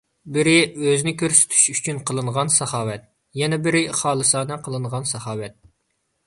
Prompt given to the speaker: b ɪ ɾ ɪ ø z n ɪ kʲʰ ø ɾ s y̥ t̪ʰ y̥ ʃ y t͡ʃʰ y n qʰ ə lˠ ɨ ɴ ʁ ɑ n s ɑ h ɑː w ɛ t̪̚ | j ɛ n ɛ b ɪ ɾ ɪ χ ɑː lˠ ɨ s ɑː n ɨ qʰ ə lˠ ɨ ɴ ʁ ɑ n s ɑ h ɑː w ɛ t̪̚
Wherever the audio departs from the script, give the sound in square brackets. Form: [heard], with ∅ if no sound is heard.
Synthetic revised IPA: b ɪ ɾ ɪ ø z n ɪ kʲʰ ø ɾ s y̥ t̪ʰ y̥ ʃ y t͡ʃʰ y n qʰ ə lˠ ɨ ɴ ʁ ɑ n s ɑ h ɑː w ɛ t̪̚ | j ɛ n ɛ b ɪ ɾ ɪ χ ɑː lˠ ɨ s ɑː n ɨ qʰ ə lˠ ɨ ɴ ʁ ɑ n s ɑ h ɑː w ɛ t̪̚